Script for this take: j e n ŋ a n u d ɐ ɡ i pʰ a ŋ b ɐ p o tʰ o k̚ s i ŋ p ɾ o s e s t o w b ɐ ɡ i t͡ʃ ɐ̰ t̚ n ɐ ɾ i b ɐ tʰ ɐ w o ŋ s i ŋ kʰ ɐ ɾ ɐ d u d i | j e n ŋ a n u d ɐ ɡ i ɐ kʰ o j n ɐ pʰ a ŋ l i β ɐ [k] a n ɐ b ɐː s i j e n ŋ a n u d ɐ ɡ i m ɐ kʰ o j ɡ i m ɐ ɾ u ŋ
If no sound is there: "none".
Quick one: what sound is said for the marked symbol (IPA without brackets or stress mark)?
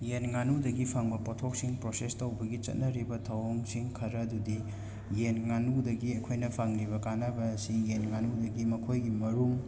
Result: k